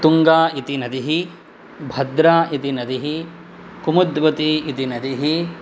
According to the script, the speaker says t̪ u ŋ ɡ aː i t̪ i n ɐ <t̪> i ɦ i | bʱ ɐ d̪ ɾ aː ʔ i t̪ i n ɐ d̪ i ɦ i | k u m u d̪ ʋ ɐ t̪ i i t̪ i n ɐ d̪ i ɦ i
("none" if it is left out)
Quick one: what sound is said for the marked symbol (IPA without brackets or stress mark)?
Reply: d̪